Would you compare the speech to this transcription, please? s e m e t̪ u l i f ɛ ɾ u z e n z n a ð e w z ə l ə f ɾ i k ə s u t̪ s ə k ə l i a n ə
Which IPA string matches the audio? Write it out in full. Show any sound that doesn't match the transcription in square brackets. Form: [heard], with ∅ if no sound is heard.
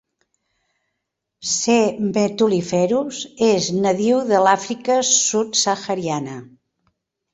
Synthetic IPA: s e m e t̪ u l i f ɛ ɾ u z e [∅] z n [ə] ð [i] w [ð] ə l [a] f ɾ i k ə s u t̪ s ə [x] ə [ɾ] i a n ə